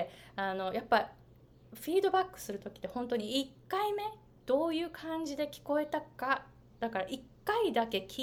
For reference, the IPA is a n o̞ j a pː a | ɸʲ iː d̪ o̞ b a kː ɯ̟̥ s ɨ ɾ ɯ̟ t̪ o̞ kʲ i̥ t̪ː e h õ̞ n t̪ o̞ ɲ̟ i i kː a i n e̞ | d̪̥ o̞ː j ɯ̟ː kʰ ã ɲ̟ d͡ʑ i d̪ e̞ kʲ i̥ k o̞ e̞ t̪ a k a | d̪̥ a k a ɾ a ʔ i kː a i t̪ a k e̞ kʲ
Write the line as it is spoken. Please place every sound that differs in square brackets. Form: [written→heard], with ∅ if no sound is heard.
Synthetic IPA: a n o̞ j a pː a | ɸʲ iː d̪ o̞ b a kː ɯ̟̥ s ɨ ɾ ɯ̟ t̪ o̞ kʲ i̥ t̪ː e h õ̞ n t̪ o̞ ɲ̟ i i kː a i [n→m] e̞ | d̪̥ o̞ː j ɯ̟ː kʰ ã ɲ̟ d͡ʑ i d̪ e̞ kʲ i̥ k o̞ e̞ t̪ a k a | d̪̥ a k a ɾ a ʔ i kː a i [t̪→d̪] a k e̞ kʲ